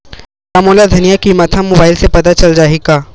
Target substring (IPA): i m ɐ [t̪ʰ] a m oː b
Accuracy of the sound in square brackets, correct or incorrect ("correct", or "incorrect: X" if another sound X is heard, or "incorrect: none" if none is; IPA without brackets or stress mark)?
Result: correct